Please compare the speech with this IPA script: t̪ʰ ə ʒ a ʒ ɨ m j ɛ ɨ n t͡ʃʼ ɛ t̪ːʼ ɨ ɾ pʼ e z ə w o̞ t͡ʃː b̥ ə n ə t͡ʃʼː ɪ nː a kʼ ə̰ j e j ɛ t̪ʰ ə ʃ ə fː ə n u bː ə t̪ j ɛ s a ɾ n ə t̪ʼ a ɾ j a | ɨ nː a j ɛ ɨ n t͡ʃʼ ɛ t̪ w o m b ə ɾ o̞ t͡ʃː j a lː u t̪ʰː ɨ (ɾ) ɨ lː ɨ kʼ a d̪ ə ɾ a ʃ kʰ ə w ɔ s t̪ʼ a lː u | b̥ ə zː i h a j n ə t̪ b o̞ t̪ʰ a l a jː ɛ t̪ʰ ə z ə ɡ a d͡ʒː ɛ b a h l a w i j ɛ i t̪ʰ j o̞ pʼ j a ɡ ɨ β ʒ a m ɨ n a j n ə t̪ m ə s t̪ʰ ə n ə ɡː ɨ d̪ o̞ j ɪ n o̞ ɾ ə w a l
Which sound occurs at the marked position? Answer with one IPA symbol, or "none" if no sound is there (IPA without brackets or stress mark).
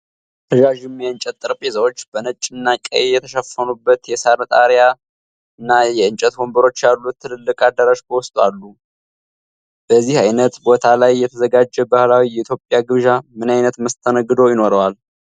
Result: l